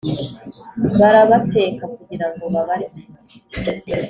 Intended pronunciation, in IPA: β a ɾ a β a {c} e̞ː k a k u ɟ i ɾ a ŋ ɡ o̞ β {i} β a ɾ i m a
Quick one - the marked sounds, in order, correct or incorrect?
incorrect, incorrect

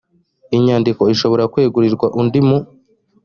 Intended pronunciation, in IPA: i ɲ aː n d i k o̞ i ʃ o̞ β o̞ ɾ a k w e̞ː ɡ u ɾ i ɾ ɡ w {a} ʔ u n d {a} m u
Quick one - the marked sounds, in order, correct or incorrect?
correct, incorrect

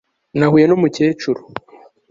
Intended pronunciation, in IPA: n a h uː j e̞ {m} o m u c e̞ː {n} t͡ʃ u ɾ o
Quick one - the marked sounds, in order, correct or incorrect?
incorrect, incorrect

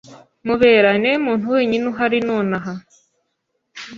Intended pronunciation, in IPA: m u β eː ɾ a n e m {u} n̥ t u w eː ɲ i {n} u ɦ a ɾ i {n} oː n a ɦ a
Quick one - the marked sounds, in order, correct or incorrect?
incorrect, correct, correct

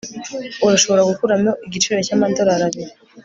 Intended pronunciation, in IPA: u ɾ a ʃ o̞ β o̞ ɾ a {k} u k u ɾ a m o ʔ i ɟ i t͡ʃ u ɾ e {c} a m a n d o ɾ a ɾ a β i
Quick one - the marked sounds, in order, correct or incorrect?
incorrect, correct

